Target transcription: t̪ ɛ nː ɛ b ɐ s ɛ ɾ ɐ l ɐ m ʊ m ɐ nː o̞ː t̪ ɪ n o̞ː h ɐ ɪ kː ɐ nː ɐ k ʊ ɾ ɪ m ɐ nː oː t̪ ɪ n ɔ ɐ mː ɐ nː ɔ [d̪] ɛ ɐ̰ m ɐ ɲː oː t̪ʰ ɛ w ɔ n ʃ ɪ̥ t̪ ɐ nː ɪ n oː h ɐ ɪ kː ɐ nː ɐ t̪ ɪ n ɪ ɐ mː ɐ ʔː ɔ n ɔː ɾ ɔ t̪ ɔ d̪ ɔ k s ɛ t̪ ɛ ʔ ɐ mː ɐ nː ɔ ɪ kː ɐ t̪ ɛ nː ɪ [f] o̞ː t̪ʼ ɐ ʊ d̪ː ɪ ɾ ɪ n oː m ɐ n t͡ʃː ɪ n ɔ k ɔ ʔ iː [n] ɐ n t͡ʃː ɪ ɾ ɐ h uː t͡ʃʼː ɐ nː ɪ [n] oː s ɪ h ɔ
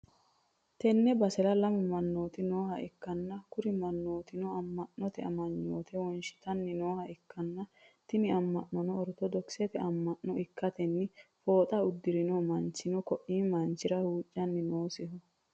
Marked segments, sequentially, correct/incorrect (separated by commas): incorrect, correct, incorrect, correct